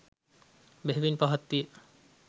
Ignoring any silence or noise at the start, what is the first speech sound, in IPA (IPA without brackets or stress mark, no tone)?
b